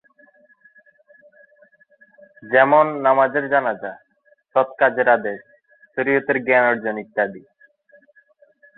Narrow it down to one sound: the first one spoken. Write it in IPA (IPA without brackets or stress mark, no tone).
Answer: d͡ʑ